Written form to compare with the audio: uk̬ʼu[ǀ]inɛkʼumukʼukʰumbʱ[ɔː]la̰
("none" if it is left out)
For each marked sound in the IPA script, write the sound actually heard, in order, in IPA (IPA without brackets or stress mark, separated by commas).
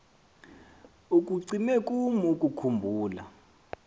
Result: ǀ, uː